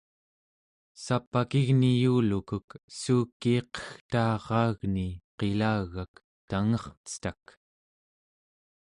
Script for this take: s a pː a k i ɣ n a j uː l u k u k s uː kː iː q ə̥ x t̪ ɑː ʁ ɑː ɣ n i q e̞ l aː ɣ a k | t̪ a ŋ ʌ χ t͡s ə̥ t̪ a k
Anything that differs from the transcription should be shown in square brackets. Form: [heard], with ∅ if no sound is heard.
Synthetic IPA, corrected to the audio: s a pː a k i ɣ n [i] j uː l u k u k s uː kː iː q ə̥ x t̪ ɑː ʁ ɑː ɣ n i q e̞ l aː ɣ a k | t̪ a ŋ ʌ χ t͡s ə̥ t̪ a k